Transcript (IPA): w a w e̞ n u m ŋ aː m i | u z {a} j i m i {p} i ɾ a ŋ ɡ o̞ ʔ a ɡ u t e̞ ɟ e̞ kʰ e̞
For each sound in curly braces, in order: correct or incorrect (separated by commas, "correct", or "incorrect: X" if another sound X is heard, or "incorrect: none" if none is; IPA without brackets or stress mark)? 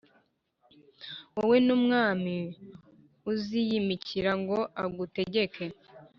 incorrect: i, incorrect: c